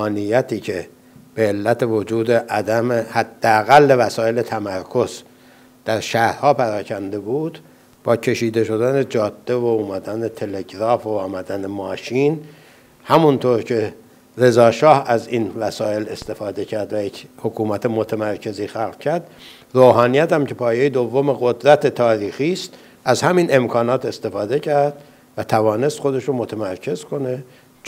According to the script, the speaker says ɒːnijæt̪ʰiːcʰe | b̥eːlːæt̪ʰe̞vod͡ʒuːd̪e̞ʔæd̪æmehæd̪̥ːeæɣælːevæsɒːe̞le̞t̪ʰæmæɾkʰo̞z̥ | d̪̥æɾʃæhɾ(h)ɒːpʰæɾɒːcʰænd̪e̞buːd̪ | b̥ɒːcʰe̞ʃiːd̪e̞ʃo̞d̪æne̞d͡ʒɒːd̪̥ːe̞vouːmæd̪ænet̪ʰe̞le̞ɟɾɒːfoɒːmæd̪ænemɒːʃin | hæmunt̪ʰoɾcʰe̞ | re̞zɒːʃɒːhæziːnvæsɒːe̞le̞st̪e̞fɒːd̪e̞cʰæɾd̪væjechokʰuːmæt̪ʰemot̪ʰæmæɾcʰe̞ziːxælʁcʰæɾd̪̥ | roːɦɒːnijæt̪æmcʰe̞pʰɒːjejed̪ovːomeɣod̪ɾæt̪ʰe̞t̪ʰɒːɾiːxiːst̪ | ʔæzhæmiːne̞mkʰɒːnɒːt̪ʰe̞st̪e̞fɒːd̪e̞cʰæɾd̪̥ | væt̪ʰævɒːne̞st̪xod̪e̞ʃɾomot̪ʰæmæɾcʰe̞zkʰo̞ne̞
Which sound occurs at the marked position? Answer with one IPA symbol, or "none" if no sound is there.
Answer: h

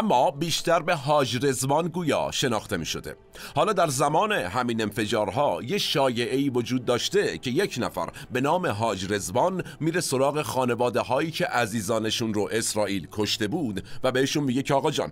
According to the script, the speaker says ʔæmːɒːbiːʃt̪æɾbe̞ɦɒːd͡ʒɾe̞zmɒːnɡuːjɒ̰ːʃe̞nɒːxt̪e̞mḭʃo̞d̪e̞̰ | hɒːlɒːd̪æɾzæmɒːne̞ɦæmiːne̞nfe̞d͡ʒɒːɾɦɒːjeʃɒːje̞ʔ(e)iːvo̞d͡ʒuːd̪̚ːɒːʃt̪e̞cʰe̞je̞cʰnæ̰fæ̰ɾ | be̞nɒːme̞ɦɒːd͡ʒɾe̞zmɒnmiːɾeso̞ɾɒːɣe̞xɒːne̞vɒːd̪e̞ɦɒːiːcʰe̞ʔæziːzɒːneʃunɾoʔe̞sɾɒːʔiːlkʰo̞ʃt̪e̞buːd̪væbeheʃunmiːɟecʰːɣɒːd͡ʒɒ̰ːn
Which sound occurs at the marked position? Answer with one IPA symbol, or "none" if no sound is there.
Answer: e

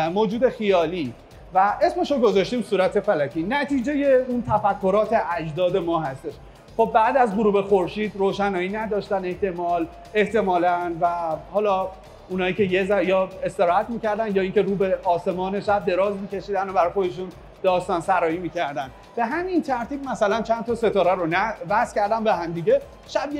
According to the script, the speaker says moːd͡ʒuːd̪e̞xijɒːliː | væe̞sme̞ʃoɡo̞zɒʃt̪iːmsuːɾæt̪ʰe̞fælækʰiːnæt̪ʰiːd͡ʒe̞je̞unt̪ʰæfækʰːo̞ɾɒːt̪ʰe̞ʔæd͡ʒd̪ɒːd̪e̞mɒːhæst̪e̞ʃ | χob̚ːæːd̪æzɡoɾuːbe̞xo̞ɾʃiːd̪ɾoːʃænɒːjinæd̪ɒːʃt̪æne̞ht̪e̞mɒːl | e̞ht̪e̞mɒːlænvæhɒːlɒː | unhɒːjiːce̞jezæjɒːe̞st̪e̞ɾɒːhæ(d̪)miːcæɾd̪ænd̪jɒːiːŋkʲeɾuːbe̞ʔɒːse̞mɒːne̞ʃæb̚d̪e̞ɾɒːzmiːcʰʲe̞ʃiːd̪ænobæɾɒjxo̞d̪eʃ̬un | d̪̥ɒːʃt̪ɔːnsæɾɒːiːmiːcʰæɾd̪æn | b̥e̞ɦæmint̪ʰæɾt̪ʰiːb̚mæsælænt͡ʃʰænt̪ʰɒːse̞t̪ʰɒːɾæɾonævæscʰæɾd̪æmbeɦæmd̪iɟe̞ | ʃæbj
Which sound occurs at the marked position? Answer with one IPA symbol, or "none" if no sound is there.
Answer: t̪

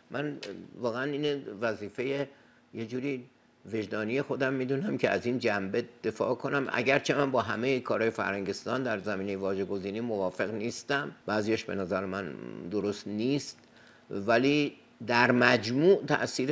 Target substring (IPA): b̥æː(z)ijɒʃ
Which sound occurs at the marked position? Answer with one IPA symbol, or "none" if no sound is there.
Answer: z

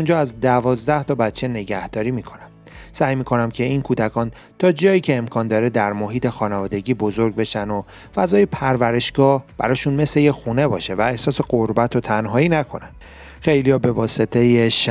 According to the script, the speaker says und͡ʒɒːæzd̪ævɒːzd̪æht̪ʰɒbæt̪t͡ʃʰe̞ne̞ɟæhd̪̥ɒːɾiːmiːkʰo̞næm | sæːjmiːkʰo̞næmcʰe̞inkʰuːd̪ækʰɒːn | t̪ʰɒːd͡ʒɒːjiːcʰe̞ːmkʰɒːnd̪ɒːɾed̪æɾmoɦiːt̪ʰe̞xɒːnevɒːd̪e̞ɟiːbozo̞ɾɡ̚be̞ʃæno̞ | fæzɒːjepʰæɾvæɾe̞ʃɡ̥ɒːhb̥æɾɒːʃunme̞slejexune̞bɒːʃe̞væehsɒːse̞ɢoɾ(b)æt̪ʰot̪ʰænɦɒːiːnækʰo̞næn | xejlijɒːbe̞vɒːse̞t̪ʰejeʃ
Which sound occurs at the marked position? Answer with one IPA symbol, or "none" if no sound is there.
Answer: b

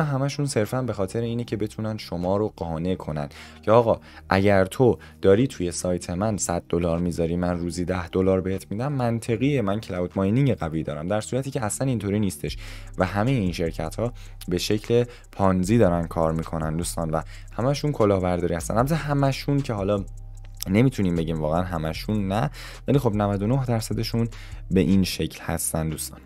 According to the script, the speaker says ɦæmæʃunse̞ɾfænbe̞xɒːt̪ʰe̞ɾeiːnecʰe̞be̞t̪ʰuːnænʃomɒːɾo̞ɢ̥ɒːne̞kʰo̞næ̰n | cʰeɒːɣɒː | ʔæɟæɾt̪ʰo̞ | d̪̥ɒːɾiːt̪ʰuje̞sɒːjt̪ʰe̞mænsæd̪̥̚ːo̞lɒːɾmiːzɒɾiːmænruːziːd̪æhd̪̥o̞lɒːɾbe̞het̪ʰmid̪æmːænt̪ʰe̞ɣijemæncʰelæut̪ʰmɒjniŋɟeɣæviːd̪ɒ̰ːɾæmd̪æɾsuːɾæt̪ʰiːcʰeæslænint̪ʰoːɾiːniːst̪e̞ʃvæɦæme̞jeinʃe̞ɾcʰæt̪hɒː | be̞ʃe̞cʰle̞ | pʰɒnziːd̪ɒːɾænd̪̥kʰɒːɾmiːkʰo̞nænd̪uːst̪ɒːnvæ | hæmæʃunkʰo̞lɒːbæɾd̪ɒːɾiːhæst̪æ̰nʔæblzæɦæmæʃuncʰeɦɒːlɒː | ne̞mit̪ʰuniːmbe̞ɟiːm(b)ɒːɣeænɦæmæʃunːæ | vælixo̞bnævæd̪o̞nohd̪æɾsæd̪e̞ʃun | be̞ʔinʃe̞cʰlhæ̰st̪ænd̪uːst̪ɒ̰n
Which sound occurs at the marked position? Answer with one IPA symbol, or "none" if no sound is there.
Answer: v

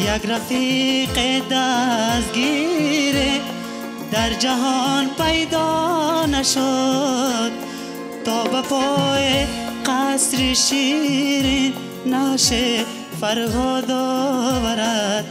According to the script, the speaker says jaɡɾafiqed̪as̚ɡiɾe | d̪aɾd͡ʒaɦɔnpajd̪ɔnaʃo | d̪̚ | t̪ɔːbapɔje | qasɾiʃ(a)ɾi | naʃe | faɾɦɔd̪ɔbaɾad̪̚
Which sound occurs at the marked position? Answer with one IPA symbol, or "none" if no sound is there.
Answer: i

